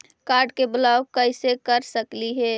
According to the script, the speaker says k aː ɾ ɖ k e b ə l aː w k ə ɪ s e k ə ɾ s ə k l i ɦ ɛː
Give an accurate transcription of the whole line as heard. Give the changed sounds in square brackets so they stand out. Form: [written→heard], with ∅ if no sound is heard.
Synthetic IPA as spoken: k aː ɾ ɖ k e b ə l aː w k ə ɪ s e k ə ɾ s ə k l i ɦ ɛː